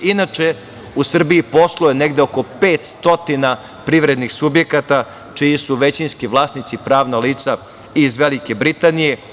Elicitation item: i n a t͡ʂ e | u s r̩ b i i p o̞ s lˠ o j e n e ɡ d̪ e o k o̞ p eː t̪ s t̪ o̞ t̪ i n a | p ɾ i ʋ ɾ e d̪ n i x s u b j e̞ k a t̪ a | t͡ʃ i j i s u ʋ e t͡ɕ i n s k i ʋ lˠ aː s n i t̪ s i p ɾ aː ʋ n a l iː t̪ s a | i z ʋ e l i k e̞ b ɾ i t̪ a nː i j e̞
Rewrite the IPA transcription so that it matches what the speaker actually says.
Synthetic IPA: i n a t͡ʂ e | u s r̩ b i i p o̞ s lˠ o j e n e ɡ d̪ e o k o̞ p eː t̪ s t̪ o̞ t̪ i n a | p ɾ i ʋ ɾ e d̪ n i x s u b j e̞ k a t̪ a | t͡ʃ i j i s u ʋ e t͡ɕ i n s k i ʋ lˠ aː s n i t̪ s i p ɾ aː ʋ n a l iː t̪ s a | i z ʋ e l i k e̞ b ɾ i t̪ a n i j e̞